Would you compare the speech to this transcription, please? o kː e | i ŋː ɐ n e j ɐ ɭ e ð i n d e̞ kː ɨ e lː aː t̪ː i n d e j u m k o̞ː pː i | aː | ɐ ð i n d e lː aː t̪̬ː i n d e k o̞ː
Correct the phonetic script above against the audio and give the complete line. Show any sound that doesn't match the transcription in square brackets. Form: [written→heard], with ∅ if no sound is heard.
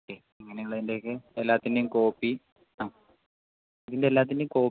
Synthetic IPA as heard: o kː e | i ŋː ɐ n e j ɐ ɭ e ð i n d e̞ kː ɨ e lː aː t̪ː i n d e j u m k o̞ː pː i | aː | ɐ ð i n d e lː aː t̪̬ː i n d e k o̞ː